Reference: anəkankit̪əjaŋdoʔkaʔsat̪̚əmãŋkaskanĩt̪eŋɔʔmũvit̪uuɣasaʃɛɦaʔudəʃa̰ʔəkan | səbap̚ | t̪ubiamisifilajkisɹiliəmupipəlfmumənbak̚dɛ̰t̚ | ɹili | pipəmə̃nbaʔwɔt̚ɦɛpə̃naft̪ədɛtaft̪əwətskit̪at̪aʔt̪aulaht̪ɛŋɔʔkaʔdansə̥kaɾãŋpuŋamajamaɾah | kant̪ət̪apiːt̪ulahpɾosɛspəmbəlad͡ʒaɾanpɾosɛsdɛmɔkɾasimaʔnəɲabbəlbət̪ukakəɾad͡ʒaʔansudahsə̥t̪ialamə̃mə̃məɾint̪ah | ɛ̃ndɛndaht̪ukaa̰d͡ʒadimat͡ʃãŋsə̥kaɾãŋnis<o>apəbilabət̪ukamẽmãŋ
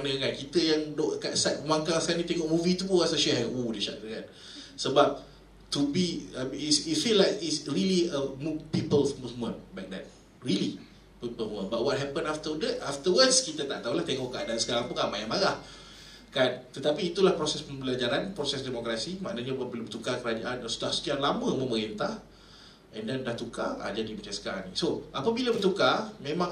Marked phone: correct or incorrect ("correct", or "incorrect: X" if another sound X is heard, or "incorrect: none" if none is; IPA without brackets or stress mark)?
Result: correct